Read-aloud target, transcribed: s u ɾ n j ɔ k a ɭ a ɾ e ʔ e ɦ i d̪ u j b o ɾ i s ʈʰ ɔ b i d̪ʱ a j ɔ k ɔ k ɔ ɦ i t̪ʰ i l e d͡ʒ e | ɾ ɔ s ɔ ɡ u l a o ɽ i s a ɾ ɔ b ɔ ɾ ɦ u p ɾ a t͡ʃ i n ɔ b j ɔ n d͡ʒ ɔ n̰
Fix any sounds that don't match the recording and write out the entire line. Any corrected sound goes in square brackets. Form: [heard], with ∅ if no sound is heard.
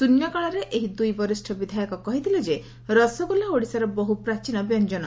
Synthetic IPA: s u [∅] n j ɔ k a ɭ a ɾ e ʔ e ɦ i d̪ u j b [ɔ] ɾ i s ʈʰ ɔ b i d̪ʱ a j ɔ k ɔ k ɔ ɦ i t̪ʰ i l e d͡ʒ e | ɾ ɔ s ɔ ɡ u l a o ɽ i s a ɾ ɔ b ɔ [∅] ɦ u p ɾ a t͡ʃ i n ɔ b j ɔ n d͡ʒ ɔ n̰